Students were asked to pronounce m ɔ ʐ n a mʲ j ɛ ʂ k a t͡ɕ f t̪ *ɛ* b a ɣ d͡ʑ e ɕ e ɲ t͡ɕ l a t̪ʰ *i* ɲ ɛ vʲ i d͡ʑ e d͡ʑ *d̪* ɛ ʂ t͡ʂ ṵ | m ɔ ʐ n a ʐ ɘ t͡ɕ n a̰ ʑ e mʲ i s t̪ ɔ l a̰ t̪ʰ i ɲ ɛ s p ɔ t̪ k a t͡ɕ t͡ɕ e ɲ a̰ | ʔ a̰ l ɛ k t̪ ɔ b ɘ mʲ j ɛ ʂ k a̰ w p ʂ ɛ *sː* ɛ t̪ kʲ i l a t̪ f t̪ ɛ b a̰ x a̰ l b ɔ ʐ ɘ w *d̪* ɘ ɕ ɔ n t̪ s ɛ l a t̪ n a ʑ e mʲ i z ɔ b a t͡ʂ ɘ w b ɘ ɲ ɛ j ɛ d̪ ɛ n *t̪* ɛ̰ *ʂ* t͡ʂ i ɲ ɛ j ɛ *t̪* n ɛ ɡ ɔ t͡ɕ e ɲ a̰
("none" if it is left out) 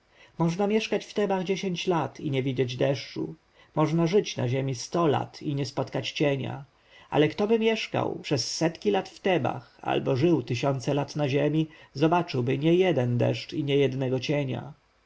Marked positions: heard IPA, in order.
ɛ, i, d̪, sː, t̪, d̪, ʂ, d̪

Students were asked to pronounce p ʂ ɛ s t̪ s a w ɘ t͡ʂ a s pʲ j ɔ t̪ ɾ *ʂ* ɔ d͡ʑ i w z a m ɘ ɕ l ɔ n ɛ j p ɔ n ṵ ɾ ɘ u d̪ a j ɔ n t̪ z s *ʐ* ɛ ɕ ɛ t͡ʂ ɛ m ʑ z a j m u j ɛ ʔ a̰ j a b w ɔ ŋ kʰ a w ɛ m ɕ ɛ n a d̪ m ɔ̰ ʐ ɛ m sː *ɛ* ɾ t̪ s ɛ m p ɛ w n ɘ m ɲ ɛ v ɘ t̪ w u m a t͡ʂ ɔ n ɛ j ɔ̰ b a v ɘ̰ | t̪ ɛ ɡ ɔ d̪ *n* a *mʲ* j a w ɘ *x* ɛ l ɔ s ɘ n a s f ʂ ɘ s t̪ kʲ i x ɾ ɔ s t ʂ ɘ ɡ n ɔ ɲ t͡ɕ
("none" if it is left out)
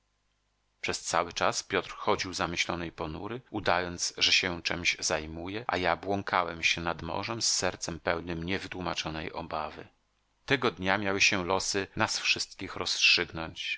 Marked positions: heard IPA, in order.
x, ʐ, ɛ, ɲ, mʲ, ɕ

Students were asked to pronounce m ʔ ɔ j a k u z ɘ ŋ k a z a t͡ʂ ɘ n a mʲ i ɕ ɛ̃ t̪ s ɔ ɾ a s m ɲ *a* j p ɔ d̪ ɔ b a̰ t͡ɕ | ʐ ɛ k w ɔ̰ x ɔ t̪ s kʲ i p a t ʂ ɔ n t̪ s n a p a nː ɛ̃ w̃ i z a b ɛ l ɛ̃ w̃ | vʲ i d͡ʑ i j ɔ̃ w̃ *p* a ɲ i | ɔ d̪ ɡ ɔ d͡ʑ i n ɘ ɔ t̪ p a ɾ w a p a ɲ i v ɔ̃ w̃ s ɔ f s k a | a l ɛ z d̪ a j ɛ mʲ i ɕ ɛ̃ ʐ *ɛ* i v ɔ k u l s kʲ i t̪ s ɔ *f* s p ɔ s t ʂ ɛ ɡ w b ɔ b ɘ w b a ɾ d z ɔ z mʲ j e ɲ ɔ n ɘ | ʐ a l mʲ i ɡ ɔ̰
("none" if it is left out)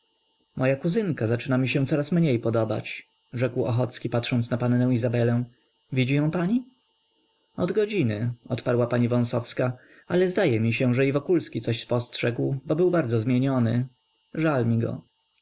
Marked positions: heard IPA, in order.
e, p, ɛ, ɕ

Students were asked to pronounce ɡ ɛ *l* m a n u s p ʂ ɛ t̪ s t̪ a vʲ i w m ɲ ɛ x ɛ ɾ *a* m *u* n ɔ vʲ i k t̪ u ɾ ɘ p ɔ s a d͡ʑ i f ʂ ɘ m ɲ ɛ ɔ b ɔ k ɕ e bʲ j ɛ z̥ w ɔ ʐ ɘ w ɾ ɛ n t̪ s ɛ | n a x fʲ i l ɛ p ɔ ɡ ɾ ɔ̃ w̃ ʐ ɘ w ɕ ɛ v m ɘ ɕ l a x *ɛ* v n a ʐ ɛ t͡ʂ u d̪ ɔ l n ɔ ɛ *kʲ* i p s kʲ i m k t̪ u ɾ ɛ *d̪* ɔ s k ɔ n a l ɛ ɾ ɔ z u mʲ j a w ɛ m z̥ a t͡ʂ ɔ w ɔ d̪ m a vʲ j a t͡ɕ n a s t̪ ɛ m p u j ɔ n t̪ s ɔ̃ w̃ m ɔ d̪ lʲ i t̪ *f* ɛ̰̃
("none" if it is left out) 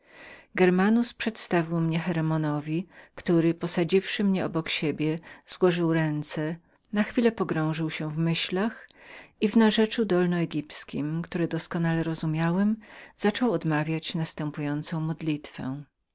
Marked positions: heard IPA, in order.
ɾ, ɛ, ɔ, i, ɡʲ, d̪, f

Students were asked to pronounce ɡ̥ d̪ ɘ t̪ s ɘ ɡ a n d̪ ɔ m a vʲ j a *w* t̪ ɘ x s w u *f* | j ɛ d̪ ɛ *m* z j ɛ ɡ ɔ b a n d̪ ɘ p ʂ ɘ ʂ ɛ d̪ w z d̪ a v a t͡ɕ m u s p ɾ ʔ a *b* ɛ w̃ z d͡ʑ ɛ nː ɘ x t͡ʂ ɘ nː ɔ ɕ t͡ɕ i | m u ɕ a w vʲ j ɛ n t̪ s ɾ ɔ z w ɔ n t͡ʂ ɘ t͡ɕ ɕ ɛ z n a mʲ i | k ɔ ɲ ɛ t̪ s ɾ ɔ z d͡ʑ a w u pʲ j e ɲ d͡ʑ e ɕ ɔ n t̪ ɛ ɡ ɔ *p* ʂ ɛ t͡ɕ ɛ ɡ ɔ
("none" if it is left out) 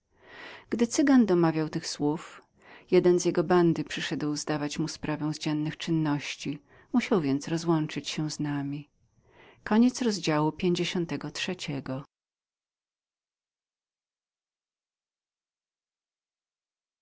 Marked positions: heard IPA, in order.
w, f, n, v, t

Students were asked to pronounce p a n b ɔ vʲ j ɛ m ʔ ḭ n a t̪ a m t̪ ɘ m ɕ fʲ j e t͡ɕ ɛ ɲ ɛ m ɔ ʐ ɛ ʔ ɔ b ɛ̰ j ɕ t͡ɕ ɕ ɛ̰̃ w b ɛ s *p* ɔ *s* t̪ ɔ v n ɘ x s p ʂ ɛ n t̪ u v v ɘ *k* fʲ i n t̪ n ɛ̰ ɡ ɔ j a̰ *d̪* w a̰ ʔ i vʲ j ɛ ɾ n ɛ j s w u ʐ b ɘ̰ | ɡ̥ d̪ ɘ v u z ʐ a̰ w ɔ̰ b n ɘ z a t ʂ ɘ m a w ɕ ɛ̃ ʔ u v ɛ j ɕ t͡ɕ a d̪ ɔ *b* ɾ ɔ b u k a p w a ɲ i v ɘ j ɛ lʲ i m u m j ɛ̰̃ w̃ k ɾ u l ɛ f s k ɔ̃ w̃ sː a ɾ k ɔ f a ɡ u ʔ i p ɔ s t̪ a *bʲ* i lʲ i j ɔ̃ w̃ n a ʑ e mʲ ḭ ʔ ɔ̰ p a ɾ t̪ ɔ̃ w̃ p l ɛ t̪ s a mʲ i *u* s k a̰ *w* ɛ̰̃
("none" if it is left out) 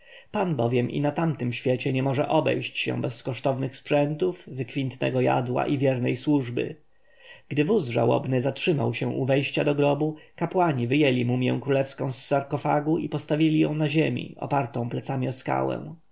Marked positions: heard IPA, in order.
k, ʂ, k, d̪, ɡ, vʲ, ɔ, w

